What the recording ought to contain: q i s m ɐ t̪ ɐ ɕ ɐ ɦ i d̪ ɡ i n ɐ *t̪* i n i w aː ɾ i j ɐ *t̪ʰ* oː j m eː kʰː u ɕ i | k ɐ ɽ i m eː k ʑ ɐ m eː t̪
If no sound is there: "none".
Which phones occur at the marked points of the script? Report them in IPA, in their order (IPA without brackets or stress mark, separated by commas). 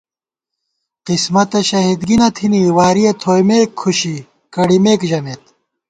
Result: t̪ʰ, t̪ʰ